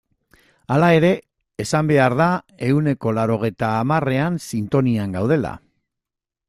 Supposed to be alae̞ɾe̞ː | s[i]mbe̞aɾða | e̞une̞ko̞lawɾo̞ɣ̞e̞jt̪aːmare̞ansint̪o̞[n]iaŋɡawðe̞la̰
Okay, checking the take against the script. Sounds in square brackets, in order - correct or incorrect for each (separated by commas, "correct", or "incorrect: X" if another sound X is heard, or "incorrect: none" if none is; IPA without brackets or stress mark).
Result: incorrect: a, correct